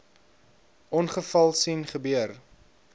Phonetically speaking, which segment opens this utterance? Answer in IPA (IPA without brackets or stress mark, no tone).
ɔ